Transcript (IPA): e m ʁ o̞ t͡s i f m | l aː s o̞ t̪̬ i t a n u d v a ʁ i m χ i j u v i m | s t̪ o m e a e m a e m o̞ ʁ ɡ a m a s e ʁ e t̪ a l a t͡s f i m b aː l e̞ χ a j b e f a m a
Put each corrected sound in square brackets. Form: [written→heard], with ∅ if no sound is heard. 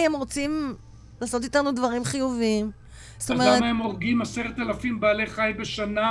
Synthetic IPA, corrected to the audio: e m ʁ o̞ t͡s i [f→∅] m | l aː s o̞ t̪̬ i t a n u d v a ʁ i m χ i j u v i m | s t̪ o m e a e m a e m o̞ ʁ ɡ [a→i] m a s e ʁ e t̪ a l a [t͡s→∅] f i m b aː l e̞ χ a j b e [f→ʃ] a [m→n] a